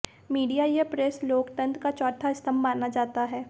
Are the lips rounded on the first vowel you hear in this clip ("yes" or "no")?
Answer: no